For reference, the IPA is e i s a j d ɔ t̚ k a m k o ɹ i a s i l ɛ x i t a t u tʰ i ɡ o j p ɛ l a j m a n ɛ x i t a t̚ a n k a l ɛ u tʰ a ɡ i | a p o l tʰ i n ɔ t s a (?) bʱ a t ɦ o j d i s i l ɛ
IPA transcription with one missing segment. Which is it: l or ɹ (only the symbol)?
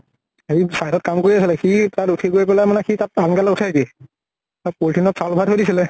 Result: l